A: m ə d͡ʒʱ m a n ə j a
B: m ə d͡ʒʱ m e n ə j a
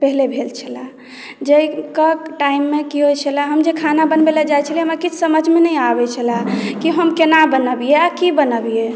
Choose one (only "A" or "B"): B